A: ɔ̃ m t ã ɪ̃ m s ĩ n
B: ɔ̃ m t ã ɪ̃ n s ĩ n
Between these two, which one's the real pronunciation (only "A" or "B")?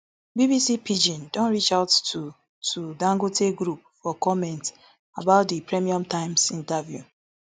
A